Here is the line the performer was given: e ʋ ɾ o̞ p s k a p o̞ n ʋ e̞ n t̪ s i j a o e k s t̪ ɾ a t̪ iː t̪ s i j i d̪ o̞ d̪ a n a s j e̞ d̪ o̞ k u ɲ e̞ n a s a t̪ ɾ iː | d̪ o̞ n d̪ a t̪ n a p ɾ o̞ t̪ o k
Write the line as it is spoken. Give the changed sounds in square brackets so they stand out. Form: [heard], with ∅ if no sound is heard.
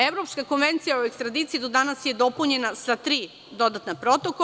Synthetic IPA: e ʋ ɾ o̞ p s k a [k] o̞ n ʋ e̞ n t̪ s i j a o e k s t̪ ɾ a [d̪] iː t̪ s i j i d̪ o̞ d̪ a n a s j e̞ d̪ o̞ [p] u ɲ e̞ n a s a t̪ ɾ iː | d̪ o̞ [∅] d̪ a t̪ n a p ɾ o̞ t̪ o k